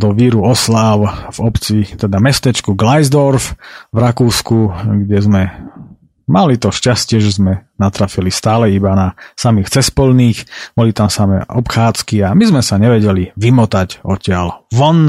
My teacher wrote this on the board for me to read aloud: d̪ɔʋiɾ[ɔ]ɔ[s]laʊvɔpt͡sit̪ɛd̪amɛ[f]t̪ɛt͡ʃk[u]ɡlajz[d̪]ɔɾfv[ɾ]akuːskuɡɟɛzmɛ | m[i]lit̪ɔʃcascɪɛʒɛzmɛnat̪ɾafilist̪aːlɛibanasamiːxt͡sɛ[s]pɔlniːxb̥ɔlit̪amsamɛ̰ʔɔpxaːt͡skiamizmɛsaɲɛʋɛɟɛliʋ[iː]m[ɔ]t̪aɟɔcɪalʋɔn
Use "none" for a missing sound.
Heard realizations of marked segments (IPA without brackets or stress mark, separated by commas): u, s, s, u, d̪, ɾ, a, s, i, ɔ